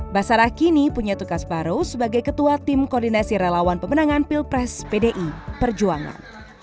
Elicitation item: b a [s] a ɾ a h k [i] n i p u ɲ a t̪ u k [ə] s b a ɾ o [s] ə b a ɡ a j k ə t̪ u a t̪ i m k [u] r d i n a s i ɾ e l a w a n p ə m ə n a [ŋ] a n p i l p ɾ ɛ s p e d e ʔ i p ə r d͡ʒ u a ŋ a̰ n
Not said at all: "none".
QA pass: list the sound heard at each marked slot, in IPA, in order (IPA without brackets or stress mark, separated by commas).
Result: s, i, a, s, ɔ, ŋ